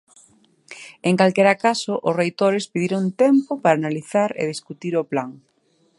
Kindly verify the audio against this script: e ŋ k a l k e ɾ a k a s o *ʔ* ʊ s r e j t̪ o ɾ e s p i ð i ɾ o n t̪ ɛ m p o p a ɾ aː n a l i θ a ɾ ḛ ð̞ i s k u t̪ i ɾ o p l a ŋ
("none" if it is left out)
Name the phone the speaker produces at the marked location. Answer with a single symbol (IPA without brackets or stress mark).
ʔ